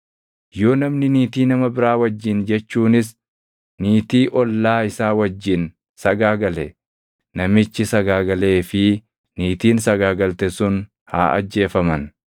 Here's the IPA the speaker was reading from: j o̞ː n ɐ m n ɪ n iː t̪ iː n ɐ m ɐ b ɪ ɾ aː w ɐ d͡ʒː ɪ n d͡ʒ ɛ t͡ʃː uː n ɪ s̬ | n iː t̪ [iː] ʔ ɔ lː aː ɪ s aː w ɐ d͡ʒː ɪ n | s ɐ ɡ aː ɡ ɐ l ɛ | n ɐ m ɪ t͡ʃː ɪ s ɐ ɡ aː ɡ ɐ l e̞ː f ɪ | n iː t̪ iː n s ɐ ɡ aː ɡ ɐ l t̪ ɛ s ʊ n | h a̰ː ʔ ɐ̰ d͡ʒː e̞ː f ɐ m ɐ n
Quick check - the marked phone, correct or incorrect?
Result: correct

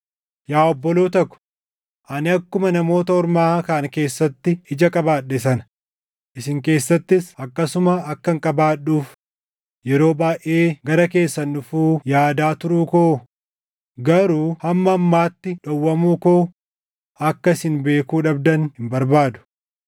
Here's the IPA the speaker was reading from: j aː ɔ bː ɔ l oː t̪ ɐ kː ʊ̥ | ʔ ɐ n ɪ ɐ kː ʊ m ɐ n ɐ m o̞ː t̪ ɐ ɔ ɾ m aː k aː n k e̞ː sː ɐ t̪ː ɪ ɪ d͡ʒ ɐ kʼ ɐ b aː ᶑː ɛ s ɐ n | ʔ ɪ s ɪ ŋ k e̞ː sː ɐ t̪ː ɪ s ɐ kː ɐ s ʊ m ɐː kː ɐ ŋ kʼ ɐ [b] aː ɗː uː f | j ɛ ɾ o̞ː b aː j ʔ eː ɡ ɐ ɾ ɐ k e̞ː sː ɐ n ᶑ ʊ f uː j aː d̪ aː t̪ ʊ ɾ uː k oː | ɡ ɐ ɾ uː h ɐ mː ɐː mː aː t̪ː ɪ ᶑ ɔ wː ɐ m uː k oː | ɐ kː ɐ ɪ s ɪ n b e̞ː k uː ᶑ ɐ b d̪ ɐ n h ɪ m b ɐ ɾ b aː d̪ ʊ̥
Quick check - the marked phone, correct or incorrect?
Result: correct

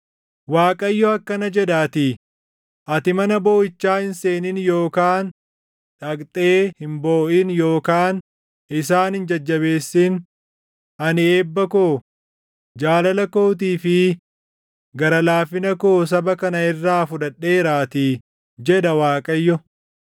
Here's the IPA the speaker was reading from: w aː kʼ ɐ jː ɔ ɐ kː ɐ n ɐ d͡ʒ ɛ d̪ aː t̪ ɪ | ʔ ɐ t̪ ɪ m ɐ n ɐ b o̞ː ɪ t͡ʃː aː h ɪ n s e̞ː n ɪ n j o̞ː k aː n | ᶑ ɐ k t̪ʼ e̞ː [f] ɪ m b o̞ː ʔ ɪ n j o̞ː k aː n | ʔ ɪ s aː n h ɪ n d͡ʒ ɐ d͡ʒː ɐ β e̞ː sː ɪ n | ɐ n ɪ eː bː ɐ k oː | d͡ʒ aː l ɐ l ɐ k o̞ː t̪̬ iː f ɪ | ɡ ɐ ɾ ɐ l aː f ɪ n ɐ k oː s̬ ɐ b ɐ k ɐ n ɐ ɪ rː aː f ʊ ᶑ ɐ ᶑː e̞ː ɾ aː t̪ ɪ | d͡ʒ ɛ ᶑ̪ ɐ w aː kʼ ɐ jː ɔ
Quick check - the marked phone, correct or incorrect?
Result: incorrect: h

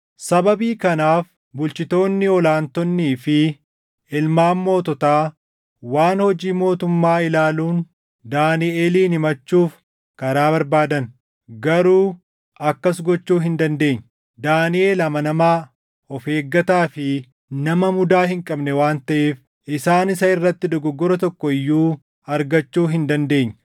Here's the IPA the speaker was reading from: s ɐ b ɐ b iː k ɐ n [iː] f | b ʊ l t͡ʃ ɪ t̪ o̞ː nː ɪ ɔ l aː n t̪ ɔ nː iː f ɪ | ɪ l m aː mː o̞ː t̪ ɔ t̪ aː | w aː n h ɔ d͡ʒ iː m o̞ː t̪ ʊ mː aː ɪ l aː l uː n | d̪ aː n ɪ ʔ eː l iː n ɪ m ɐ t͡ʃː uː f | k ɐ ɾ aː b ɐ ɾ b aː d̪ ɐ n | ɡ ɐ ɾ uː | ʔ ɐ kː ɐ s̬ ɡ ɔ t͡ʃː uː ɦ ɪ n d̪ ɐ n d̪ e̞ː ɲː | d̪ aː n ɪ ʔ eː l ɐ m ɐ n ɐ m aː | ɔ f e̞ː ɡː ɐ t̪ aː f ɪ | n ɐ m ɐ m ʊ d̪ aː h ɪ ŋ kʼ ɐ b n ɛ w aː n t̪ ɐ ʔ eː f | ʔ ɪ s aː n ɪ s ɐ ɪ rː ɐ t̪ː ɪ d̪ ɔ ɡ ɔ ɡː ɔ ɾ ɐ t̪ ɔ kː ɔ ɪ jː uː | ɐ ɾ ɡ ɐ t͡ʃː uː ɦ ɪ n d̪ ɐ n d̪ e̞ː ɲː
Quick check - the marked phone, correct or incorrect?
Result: incorrect: aː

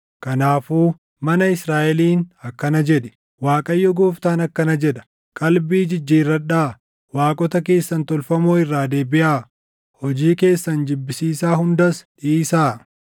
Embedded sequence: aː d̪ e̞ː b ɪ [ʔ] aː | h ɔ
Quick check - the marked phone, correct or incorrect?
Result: correct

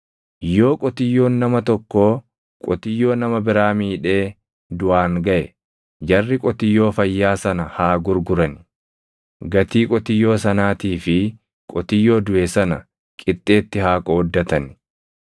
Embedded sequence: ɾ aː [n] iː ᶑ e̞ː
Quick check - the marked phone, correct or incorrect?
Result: incorrect: m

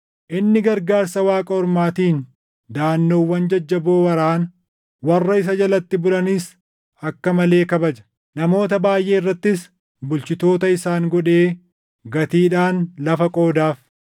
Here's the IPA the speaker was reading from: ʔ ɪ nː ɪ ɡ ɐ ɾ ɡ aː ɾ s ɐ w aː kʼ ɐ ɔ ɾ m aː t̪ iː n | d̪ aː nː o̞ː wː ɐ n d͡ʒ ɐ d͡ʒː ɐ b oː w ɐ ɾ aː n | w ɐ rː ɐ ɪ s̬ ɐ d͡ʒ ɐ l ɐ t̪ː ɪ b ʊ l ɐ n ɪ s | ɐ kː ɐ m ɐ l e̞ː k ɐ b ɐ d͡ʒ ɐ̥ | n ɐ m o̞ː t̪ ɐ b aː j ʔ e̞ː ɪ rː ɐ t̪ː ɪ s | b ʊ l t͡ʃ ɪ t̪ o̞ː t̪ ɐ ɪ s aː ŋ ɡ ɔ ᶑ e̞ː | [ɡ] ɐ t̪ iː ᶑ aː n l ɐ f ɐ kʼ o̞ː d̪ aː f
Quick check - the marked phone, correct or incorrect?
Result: correct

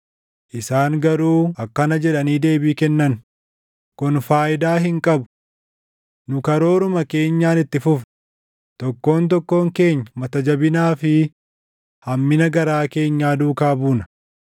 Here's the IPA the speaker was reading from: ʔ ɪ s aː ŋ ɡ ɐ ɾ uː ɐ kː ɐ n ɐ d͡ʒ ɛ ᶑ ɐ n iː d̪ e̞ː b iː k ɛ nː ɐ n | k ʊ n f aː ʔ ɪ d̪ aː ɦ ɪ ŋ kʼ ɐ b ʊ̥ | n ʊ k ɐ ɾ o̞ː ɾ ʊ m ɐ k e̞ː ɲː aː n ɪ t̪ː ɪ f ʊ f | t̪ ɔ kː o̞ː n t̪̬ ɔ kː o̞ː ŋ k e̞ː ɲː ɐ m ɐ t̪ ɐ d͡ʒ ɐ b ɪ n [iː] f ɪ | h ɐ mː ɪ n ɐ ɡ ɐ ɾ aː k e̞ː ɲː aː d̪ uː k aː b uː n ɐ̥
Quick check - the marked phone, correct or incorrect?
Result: incorrect: aː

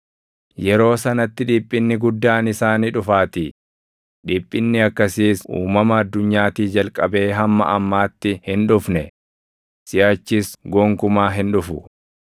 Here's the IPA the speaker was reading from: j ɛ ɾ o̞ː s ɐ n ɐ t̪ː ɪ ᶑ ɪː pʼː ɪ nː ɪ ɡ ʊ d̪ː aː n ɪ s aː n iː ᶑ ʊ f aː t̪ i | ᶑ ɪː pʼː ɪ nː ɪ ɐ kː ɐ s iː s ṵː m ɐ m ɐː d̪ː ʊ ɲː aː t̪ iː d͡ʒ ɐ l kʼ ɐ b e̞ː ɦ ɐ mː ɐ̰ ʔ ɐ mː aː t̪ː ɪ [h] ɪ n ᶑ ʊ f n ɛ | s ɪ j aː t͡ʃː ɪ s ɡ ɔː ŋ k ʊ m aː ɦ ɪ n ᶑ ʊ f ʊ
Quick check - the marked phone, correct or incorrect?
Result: correct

